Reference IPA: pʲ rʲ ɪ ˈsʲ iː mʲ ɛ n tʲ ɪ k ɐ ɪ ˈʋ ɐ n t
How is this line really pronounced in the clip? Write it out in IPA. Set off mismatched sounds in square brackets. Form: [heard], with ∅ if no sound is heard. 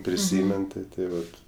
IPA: pʲ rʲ ɪ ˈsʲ iː mʲ ɛ n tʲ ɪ [t] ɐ ɪ ˈʋ ɐ [∅] t

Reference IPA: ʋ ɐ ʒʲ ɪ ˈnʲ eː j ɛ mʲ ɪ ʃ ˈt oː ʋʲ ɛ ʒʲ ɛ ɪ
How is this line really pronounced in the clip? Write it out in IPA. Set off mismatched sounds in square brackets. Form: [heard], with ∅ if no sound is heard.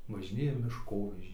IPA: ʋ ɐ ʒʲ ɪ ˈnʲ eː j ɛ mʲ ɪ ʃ [ˈk] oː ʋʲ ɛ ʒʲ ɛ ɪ

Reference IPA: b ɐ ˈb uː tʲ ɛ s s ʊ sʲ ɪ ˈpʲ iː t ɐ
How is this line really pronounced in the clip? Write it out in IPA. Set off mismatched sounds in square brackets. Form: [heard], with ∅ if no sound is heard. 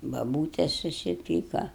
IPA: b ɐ ˈb uː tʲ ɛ s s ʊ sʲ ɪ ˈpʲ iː [k] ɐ

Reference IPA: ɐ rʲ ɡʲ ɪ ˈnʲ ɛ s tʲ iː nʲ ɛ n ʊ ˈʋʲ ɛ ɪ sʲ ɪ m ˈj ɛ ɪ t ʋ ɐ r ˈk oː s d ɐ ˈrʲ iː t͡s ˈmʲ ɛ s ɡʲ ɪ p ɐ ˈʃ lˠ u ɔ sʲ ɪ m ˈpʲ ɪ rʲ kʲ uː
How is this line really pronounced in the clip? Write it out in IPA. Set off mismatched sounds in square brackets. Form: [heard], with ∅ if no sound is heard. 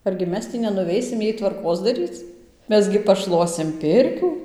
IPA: ɐ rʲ ɡʲ ɪ [ˈmʲ] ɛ s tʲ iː nʲ ɛ n ʊ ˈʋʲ ɛ ɪ sʲ ɪ m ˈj ɛ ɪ t ʋ ɐ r ˈk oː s d ɐ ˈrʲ iː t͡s ˈmʲ ɛ s ɡʲ ɪ p ɐ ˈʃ lˠ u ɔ sʲ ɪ m ˈpʲ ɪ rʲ kʲ uː

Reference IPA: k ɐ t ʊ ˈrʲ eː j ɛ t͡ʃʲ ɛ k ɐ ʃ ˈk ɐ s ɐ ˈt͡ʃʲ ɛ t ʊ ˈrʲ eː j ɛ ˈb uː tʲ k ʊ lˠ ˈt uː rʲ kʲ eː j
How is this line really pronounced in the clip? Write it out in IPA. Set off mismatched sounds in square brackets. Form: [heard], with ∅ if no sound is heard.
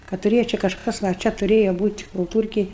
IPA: k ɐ t ʊ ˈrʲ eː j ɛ t͡ʃʲ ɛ k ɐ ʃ ˈk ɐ s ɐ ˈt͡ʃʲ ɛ t ʊ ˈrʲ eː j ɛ ˈb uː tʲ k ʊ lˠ ˈt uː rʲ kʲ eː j

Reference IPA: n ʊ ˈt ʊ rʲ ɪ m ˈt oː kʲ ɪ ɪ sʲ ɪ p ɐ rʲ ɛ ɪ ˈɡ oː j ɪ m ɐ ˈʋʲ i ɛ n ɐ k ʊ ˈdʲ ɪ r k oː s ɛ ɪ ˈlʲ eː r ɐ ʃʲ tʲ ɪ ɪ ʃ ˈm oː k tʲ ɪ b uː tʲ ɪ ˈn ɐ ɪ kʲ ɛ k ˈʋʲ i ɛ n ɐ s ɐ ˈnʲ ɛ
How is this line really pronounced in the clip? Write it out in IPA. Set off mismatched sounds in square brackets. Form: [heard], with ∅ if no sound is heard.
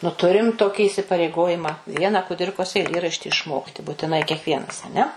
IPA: n ʊ ˈt ʊ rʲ ɪ m ˈt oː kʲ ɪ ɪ sʲ ɪ p ɐ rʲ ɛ ɪ ˈɡ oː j ɪ m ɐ ˈʋʲ i ɛ n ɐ k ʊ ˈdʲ ɪ r k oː s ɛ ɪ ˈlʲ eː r ɐ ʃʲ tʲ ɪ ɪ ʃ ˈm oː k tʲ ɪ b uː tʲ ɪ ˈn ɐ ɪ kʲ ɛ k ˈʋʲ i ɛ n ɐ s ɐ ˈnʲ ɛ

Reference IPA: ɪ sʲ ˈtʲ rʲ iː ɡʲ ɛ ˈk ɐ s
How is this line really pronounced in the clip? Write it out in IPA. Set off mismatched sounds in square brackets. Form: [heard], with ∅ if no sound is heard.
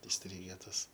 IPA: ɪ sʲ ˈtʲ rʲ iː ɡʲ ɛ [ˈt] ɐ s

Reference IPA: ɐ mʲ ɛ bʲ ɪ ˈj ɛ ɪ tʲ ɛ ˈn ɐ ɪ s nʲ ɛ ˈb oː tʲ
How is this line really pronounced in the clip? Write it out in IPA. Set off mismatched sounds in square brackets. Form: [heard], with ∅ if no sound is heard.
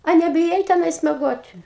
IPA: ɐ [nʲ] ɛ bʲ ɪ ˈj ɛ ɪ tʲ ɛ ˈn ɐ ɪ s [mʲ] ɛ [ˈɡ] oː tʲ

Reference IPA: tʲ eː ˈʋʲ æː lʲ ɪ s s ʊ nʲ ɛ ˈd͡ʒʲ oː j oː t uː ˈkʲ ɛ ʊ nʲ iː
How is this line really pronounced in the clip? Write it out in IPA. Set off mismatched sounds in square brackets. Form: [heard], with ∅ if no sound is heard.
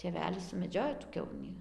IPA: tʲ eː ˈʋʲ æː lʲ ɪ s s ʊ [mʲ] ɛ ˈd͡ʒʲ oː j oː t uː ˈkʲ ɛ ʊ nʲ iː

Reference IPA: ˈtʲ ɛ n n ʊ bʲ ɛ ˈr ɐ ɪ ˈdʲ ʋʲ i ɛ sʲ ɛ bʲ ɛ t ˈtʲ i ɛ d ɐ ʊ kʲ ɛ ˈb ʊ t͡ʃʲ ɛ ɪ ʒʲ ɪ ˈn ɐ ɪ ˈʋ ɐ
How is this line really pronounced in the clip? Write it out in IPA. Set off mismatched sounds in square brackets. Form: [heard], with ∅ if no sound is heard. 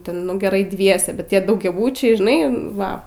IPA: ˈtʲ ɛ n n ʊ [ɡʲ] ɛ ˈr ɐ ɪ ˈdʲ ʋʲ i ɛ sʲ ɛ bʲ ɛ t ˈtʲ i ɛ d ɐ ʊ [ɡʲ] ɛ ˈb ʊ t͡ʃʲ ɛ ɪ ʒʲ ɪ ˈn ɐ ɪ ˈʋ ɐ

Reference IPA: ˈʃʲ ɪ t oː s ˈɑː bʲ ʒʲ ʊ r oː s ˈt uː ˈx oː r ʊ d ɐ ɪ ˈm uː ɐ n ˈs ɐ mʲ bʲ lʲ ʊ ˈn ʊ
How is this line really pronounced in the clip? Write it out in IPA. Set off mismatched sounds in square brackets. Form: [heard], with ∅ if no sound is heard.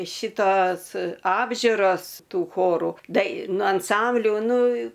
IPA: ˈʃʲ ɪ t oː s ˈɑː bʲ ʒʲ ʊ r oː s ˈt uː ˈx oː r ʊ d ɐ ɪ [ˈn] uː ɐ n ˈs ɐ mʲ bʲ lʲ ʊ ˈn ʊ

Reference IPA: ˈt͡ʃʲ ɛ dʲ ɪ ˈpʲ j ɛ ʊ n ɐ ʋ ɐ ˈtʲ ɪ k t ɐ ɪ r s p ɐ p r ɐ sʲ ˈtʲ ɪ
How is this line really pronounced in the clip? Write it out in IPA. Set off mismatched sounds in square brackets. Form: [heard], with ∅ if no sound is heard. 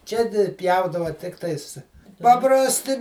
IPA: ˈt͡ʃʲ ɛ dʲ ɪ ˈpʲ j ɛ ʊ [d] ɐ ʋ ɐ ˈtʲ ɪ k t ɐ ɪ [∅] s p ɐ p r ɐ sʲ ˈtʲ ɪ

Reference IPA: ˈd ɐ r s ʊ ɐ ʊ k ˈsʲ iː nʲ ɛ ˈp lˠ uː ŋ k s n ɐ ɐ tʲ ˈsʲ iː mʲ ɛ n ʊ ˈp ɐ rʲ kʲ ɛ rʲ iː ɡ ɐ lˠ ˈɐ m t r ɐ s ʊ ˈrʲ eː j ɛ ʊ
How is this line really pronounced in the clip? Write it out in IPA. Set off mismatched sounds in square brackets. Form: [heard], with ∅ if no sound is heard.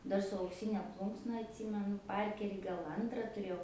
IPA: ˈd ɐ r s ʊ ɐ ʊ k ˈsʲ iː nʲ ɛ ˈp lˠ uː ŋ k s n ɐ ɐ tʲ ˈsʲ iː mʲ ɛ n ʊ ˈp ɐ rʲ kʲ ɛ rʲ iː ɡ ɐ lˠ ˈɐ [n] t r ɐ [t] ʊ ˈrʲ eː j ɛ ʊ

